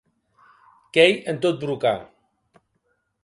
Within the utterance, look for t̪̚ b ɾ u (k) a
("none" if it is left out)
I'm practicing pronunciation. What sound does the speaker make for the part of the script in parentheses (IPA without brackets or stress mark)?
k